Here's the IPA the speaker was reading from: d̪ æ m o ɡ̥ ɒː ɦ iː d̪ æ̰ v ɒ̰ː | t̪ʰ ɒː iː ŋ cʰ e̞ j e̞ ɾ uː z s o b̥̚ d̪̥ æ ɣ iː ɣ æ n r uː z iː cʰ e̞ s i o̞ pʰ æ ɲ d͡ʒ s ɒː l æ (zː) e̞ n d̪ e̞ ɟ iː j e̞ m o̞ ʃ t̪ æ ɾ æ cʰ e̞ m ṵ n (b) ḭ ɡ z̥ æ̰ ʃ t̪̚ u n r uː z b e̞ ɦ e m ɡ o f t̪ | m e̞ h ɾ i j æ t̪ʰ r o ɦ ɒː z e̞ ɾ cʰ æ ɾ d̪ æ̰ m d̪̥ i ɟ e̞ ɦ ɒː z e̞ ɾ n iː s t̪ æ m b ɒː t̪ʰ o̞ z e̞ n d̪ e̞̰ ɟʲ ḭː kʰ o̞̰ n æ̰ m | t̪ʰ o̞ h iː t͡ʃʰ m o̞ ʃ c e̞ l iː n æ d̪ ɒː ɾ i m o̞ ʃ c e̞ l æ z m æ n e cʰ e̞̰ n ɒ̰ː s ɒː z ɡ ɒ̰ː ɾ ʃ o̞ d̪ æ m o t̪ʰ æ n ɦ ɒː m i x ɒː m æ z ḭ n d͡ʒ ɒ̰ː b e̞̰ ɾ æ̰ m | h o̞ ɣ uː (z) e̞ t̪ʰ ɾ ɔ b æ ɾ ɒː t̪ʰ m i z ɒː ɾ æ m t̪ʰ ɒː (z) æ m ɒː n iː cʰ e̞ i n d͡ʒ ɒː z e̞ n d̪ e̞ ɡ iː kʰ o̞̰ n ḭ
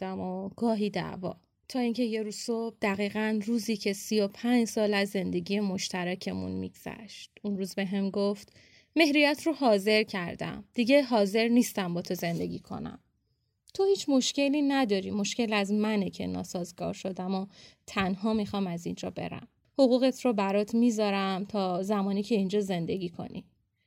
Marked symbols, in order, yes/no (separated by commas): yes, no, no, yes